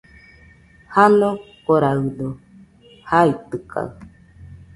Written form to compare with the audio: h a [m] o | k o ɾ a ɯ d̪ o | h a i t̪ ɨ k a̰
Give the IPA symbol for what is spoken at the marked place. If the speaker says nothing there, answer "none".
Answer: n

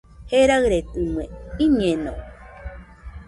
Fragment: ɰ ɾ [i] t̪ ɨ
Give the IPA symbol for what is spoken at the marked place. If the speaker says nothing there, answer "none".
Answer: e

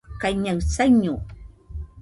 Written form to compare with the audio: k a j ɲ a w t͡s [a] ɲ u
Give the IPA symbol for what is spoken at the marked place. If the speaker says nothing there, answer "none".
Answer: a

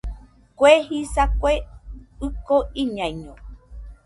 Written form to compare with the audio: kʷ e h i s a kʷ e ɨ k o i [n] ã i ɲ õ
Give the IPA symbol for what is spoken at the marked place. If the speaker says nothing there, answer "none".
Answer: ɲ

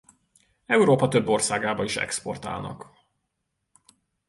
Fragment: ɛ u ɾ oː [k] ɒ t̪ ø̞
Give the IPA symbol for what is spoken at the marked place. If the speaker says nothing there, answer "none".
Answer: p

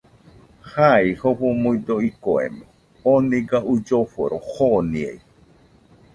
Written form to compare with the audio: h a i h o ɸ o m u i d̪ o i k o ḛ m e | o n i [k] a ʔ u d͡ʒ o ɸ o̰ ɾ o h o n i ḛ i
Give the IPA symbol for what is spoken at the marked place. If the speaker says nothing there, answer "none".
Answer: ɡ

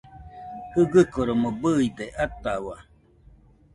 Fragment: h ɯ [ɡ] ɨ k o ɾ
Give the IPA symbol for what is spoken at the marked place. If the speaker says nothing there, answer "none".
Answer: ɡ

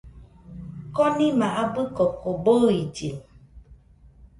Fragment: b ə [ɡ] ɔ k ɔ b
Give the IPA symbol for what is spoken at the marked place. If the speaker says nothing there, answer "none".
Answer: k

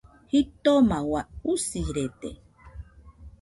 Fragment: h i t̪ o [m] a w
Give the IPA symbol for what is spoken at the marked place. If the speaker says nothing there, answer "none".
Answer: m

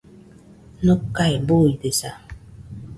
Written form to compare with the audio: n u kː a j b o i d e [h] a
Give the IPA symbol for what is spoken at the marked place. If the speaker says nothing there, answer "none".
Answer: s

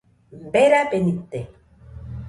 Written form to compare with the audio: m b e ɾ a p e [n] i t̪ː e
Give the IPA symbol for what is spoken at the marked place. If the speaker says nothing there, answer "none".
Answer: n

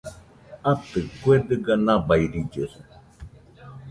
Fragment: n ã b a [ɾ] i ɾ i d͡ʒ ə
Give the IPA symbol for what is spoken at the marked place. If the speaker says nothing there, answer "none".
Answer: none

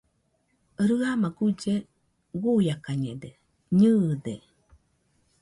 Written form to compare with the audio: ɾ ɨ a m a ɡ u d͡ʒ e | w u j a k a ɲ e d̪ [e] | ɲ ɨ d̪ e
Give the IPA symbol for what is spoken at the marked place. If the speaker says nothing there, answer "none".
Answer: e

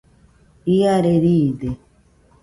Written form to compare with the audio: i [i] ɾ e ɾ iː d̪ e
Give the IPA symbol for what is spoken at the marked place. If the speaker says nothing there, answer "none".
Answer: a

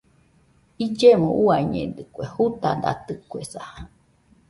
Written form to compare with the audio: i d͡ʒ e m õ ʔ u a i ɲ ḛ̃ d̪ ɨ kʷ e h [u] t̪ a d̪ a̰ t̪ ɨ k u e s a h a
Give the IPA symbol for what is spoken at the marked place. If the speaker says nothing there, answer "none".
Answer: u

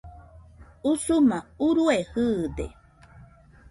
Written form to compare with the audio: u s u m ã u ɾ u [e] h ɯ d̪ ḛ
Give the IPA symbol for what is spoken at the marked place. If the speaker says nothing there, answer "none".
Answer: e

